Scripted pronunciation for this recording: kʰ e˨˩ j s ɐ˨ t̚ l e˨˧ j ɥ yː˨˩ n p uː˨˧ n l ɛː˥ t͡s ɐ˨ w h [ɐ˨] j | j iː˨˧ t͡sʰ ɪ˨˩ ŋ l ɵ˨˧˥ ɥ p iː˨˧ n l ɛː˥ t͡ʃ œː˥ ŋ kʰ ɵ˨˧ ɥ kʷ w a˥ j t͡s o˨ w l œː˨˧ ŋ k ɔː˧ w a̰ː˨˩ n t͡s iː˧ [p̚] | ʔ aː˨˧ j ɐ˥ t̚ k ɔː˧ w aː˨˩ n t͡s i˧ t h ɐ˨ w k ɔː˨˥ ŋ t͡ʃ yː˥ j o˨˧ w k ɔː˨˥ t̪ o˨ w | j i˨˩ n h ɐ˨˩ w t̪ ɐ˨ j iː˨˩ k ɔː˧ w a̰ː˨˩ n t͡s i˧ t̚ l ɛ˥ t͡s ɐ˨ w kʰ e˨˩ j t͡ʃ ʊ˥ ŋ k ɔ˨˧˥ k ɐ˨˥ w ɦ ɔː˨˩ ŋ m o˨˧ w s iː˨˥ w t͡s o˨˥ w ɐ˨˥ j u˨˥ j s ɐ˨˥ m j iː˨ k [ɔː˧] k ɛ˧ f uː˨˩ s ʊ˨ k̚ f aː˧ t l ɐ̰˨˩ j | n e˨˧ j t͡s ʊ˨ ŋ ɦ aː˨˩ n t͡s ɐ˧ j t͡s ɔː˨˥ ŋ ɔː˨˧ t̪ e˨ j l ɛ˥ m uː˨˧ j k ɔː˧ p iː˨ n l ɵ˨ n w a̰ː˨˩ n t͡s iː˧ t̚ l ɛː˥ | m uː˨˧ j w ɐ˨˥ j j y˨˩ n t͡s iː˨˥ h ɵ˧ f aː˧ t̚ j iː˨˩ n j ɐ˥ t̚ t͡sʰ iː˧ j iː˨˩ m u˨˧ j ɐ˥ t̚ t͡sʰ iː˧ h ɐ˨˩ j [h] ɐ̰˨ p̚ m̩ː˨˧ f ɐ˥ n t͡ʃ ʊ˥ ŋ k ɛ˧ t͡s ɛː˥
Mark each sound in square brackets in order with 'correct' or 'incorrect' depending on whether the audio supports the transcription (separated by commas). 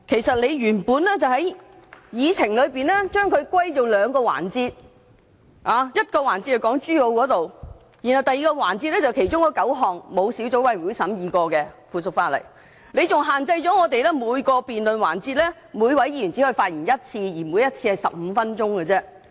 incorrect, incorrect, correct, incorrect